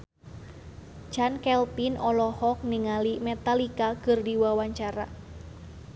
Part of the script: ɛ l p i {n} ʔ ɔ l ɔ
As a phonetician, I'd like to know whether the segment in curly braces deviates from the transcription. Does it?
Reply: no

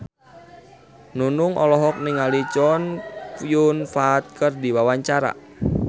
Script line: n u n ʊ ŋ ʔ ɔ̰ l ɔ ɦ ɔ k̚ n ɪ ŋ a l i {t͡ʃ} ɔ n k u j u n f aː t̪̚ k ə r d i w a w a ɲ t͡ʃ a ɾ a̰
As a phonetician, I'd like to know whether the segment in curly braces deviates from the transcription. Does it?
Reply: no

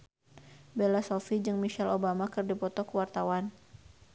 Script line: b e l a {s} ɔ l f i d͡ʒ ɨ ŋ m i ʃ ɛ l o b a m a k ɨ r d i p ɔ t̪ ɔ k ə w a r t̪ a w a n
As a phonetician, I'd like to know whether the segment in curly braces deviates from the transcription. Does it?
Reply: no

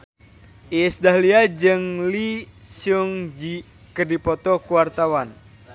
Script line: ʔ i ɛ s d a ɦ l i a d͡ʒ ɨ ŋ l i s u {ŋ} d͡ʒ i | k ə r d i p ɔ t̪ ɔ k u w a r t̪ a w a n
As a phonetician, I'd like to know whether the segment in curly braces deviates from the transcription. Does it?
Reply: no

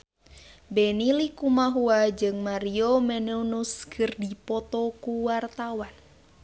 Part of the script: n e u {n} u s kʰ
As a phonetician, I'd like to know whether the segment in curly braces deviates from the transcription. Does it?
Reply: no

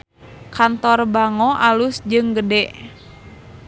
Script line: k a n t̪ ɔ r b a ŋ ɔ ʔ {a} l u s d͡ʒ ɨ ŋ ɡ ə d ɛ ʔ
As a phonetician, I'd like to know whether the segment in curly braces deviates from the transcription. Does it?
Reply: no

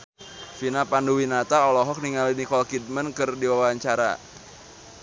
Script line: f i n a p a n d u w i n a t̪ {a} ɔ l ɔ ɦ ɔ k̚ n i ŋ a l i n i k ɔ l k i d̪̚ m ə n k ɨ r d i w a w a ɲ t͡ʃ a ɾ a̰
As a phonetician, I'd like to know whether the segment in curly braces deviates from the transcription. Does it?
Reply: no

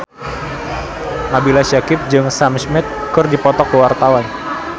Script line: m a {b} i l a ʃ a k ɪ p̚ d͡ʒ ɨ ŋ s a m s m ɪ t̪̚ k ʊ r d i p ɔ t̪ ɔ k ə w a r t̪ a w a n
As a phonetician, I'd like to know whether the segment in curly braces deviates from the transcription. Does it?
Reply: no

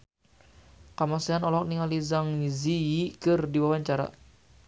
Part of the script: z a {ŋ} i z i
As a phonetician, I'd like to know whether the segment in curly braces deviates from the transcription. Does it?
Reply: no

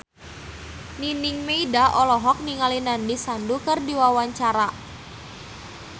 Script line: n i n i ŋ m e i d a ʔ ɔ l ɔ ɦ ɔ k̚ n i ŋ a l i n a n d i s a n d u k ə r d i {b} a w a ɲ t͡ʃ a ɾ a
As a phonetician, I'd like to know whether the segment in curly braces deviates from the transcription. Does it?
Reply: yes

